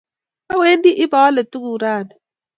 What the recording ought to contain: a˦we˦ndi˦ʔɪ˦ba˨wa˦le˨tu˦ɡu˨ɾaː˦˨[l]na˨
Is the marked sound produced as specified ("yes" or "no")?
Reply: no